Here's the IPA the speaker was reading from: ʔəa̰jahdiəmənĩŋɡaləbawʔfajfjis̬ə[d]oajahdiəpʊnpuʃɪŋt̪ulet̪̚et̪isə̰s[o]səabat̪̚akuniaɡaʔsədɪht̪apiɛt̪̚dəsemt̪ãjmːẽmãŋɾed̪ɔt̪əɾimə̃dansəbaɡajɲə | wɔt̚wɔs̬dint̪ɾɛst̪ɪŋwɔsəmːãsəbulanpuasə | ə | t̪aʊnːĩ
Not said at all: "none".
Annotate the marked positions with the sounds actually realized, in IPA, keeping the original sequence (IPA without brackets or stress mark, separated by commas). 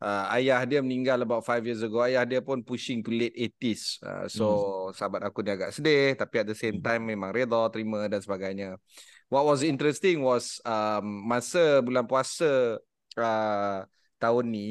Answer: ɡ, o